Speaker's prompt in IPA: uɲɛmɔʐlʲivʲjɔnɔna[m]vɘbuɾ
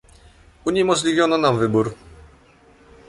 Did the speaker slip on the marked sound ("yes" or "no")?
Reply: no